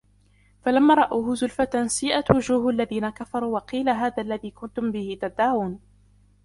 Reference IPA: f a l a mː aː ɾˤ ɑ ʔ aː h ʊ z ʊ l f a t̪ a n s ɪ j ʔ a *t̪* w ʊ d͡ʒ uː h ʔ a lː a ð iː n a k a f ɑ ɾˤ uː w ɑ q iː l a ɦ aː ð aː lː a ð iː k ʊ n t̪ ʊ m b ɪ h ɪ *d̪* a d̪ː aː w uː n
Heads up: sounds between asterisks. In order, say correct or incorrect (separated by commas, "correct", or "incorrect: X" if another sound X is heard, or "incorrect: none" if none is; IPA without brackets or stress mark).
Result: correct, incorrect: t̪